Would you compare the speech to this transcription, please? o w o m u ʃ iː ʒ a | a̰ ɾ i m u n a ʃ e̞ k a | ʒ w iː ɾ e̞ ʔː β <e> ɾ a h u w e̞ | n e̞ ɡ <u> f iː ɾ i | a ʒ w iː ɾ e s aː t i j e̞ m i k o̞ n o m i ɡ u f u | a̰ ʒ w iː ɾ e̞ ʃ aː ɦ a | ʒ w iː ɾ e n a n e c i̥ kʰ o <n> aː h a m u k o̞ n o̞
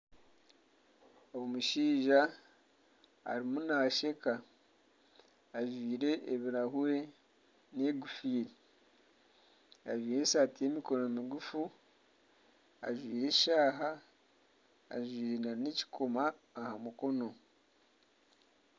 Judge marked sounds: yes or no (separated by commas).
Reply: no, yes, no